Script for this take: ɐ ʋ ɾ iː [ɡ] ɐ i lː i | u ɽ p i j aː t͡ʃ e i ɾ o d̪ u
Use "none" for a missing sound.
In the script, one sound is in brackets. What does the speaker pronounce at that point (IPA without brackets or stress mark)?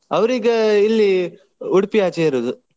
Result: ɡ